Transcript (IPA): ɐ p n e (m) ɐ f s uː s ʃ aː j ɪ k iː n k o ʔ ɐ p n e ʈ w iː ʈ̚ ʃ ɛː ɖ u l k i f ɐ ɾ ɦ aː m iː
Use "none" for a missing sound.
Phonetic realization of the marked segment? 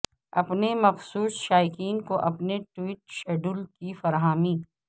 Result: m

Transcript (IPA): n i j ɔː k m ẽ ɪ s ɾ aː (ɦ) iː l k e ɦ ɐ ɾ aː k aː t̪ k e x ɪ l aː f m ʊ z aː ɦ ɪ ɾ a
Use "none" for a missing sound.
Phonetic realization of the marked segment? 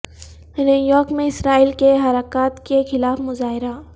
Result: none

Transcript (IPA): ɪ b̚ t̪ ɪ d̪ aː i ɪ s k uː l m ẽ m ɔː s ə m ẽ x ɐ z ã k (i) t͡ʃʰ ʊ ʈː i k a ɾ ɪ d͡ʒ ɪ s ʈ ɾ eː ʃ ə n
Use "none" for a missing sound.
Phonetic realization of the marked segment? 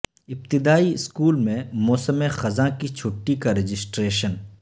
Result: i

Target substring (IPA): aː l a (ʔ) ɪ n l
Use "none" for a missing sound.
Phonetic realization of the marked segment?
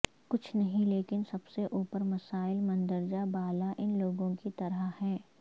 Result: ʔ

